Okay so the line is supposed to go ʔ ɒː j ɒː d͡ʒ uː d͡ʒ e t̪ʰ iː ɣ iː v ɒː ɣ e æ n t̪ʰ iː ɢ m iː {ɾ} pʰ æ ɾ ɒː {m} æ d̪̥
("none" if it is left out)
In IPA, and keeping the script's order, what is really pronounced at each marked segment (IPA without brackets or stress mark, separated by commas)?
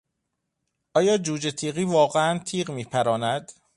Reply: none, n